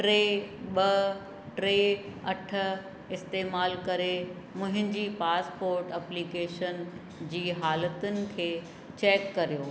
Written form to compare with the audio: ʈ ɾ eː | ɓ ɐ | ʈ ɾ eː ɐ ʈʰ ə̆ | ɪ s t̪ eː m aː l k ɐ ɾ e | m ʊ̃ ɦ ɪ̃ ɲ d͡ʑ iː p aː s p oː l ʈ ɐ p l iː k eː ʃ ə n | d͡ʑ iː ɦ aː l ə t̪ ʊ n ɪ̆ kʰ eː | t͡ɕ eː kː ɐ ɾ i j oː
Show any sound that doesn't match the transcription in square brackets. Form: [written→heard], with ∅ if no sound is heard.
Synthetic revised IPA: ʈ ɾ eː | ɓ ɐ | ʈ ɾ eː ɐ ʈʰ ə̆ | ɪ s t̪ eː m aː l k ɐ ɾ e | m ʊ̃ ɦ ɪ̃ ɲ d͡ʑ iː p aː s p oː [l→ɾ] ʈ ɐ p l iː k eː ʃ ə n | d͡ʑ iː ɦ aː l ə t̪ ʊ n ɪ̆ kʰ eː | t͡ɕ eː kː ɐ ɾ i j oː